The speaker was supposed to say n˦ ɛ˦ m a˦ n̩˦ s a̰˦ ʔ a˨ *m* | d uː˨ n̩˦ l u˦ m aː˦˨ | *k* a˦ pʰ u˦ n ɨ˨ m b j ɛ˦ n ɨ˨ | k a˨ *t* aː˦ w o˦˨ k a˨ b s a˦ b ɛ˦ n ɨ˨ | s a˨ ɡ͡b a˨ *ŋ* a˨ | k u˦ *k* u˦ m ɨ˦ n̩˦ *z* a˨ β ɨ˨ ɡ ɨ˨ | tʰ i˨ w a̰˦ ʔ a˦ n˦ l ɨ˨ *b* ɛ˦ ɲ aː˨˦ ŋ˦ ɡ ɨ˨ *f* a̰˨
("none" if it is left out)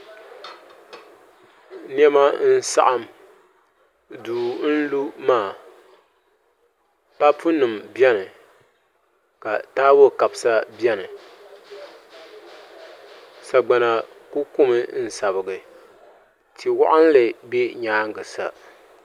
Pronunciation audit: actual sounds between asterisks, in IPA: m, p, t, n, k, s, b, s

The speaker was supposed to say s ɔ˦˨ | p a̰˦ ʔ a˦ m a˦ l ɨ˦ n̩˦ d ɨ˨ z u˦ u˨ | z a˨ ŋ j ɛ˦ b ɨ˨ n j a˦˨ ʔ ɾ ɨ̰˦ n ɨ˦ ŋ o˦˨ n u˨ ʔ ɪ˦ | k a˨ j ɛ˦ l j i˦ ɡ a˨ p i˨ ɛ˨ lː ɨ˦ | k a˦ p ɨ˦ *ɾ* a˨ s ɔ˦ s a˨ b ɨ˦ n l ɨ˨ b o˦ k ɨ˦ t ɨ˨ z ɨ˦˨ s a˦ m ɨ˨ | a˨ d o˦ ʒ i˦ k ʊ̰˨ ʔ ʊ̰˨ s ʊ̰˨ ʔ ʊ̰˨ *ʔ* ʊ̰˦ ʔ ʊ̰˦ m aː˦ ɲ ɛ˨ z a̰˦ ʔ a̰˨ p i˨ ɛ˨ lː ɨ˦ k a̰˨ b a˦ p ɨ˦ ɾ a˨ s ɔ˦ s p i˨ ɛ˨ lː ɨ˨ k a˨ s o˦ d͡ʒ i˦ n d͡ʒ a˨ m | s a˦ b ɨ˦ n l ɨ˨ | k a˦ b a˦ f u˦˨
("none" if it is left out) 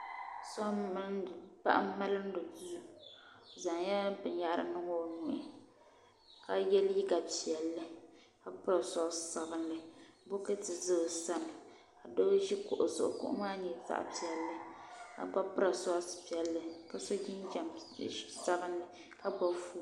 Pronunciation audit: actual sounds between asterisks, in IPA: ɾ, k

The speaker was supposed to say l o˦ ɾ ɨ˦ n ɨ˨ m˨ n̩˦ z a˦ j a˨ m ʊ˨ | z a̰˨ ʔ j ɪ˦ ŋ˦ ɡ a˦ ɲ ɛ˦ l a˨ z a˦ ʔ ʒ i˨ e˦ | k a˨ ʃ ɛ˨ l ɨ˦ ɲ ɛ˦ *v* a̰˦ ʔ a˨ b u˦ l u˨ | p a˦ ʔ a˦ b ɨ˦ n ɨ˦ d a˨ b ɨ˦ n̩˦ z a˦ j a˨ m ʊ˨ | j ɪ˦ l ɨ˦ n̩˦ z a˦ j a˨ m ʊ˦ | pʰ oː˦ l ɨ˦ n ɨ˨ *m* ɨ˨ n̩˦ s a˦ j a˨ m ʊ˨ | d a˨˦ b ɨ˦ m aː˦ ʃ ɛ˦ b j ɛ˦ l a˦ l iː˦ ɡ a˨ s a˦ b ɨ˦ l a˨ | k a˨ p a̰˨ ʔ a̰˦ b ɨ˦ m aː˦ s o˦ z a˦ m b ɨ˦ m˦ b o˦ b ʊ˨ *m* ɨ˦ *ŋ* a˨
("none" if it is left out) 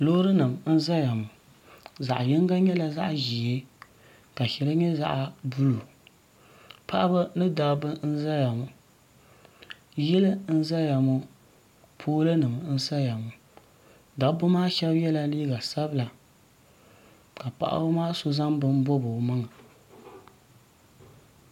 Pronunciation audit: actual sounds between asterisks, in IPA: z, m, m, ŋ

